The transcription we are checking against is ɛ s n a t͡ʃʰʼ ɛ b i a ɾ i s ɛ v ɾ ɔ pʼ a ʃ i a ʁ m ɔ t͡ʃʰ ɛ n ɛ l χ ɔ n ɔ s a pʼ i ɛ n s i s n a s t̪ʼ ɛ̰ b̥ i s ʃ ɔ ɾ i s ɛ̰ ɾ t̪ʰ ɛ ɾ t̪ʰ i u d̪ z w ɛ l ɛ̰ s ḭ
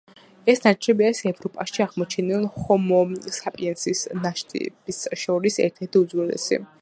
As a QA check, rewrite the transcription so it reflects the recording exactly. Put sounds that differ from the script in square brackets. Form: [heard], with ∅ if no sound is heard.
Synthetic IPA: ɛ s n a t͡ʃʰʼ ɛ b i a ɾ i s ɛ v ɾ ɔ pʼ a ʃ i a ʁ m ɔ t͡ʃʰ ɛ n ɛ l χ ɔ [m] ɔ s a pʼ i ɛ n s i s n a [ʃ] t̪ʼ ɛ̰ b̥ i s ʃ ɔ ɾ i s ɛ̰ ɾ t̪ʰ ɛ ɾ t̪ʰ i u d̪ z w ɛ l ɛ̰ s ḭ